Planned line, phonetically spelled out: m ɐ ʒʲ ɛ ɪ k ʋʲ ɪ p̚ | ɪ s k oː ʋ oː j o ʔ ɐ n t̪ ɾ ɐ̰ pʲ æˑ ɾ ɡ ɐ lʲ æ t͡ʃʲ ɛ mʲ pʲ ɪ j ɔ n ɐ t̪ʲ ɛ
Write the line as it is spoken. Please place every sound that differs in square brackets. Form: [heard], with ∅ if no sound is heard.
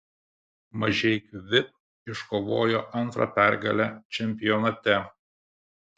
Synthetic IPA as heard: m ɐ ʒʲ ɛ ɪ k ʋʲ ɪ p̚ | ɪ [ʃ] k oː ʋ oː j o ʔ ɐ n t̪ ɾ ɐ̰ pʲ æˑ ɾ ɡ ɐ lʲ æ t͡ʃʲ ɛ mʲ pʲ ɪ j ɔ n ɐ t̪ʲ ɛ